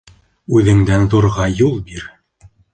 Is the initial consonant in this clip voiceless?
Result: no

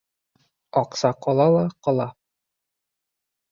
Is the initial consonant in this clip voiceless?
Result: yes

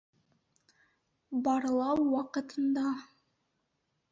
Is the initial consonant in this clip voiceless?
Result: no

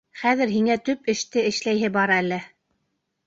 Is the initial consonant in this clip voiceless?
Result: yes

